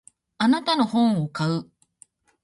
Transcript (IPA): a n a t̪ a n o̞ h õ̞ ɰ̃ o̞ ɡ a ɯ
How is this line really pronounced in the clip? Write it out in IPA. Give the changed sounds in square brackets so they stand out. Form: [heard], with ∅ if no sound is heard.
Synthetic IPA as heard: a n a t̪ a n o̞ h õ̞ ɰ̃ o̞ [k] a ɯ